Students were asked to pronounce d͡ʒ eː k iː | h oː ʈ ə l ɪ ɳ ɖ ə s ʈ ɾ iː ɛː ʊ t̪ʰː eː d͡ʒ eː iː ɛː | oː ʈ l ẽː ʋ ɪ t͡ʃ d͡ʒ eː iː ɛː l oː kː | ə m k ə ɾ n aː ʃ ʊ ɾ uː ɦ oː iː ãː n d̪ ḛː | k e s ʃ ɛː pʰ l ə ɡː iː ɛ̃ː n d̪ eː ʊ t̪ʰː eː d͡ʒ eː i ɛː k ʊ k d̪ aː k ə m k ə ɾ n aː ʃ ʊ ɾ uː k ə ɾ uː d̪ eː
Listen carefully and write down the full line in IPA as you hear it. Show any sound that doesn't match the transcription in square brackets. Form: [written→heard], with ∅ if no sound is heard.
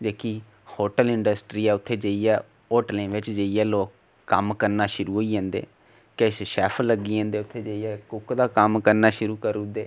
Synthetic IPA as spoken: d͡ʒ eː k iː | h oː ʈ ə l ɪ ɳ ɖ ə s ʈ ɾ iː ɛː ʊ t̪ʰː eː d͡ʒ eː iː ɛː | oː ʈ l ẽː ʋ ɪ t͡ʃ d͡ʒ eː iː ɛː l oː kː | ə m k ə ɾ n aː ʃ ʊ ɾ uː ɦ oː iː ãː n d̪ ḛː | k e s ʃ ɛː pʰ l ə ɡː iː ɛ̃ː n d̪ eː ʊ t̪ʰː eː d͡ʒ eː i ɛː k ʊ k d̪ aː k ə m k ə ɾ n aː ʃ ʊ ɾ uː k ə ɾ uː d̪ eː

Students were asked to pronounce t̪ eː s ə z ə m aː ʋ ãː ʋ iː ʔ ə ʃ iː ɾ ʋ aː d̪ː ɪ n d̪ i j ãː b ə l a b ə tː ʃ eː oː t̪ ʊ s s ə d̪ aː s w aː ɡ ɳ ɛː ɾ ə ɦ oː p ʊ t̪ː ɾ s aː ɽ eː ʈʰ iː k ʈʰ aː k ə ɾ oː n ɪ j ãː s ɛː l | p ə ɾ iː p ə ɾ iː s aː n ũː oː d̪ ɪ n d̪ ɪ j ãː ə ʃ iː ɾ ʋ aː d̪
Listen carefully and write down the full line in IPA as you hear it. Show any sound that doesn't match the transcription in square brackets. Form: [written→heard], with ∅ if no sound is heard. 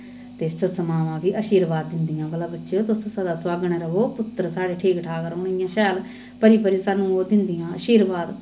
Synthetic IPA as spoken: t̪ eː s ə [z→s] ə m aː ʋ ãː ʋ iː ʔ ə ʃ iː ɾ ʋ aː d̪ː ɪ n d̪ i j ãː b ə l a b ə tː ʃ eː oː t̪ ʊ s s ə d̪ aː s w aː ɡ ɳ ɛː ɾ ə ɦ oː p ʊ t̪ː ɾ s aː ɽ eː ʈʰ iː k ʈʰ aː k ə ɾ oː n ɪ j ãː [s→ʃ] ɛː l | p ə ɾ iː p ə ɾ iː s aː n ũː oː d̪ ɪ n d̪ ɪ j ãː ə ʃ iː ɾ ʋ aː d̪

